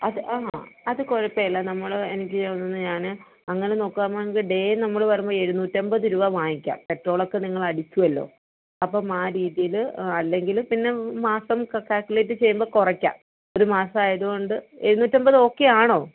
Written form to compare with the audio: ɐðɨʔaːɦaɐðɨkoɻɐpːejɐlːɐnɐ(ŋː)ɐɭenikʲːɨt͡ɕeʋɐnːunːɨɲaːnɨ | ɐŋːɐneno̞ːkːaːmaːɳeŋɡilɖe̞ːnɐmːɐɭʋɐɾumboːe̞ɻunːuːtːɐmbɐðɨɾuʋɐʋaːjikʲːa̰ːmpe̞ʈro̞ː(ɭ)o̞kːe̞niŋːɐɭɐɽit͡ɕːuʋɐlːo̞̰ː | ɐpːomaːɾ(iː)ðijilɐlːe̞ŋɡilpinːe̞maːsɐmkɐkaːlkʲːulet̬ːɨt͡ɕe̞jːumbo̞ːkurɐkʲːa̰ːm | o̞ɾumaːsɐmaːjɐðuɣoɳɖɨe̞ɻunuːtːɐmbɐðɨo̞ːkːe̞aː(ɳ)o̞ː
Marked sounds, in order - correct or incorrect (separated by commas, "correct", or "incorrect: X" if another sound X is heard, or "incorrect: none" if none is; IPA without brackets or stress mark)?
incorrect: mː, correct, correct, correct